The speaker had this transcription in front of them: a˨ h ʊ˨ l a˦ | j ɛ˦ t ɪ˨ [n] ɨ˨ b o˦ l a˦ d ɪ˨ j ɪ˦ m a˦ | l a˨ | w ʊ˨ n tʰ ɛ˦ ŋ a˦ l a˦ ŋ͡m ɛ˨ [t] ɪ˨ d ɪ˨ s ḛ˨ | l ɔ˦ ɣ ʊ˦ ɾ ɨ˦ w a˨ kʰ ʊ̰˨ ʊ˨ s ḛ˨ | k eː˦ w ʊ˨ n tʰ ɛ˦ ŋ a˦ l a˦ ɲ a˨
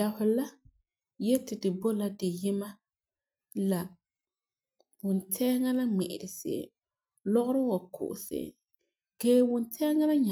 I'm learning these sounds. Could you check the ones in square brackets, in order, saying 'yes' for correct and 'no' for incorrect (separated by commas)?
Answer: no, no